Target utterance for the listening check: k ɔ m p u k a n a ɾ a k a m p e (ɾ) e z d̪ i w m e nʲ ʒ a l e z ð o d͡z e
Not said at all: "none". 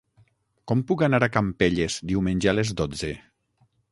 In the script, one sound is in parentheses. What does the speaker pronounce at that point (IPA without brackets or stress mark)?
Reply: ʎ